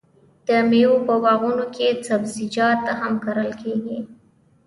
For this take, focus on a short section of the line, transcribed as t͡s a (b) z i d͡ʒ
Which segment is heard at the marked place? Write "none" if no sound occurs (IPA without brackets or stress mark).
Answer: b